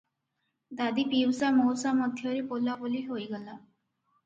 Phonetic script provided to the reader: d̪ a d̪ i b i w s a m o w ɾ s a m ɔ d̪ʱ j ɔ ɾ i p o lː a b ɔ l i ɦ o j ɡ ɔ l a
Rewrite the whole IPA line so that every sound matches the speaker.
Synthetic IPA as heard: d̪ a d̪ i p i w s a m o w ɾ s a m ɔ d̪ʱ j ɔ ɾ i p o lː a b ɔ l i ɦ o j ɡ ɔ l a